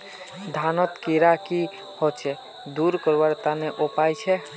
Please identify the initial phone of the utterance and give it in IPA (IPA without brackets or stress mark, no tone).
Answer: d̪ʱ